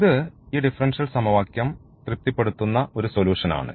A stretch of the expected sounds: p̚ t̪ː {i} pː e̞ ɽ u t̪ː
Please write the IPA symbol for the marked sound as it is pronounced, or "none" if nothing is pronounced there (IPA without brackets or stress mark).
i